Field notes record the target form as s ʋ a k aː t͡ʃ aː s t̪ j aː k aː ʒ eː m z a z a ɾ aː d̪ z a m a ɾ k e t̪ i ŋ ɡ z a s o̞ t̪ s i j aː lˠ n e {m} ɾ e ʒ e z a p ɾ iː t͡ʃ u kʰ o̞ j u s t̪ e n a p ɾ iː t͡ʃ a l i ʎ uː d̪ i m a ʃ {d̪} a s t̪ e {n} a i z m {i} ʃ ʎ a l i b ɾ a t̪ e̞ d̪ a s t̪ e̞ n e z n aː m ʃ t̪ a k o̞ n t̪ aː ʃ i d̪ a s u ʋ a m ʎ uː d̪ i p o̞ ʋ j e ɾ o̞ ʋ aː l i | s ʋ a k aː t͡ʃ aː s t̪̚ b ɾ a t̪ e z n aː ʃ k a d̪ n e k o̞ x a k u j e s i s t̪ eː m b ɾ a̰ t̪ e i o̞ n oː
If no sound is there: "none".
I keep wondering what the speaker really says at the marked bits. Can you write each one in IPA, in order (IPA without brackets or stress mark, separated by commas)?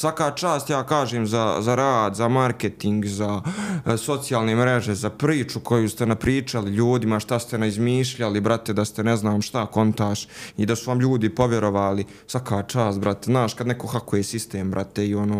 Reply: m, t̪, n, iː